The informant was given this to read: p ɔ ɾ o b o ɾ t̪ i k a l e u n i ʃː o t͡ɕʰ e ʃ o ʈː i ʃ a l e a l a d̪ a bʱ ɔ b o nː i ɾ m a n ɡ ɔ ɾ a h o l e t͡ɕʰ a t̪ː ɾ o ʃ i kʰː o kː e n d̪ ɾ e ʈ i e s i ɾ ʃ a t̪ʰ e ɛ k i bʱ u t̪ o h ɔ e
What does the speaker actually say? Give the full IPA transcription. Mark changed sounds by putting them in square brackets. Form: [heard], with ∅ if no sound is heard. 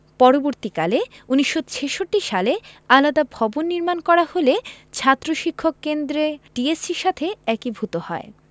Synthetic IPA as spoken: p ɔ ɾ o b o ɾ t̪ i k a l e u n i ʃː o t͡ɕʰ e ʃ o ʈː i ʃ a l e a l a d̪ a bʱ ɔ b o nː i ɾ m a n [k] ɔ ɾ a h o l e t͡ɕʰ a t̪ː ɾ o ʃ i kʰː o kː e n d̪ ɾ e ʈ i e s i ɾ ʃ a t̪ʰ e ɛ k i bʱ u t̪ o h ɔ e